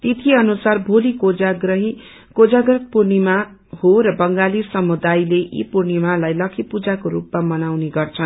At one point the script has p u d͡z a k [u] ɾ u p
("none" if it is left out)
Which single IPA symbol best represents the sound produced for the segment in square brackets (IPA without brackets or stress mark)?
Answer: o